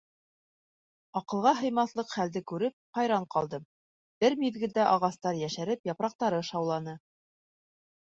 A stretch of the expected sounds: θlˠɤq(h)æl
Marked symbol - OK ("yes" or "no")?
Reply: no